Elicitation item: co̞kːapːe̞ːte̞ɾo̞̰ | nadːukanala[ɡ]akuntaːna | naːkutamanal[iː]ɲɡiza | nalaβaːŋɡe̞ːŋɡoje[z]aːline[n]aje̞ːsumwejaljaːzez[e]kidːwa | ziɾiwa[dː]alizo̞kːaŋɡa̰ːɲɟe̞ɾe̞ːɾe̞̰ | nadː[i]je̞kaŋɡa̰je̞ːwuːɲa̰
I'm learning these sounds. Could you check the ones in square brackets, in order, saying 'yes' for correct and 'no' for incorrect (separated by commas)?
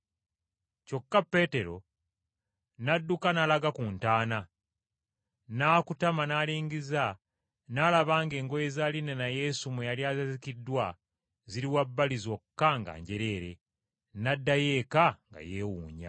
yes, yes, yes, yes, no, no, no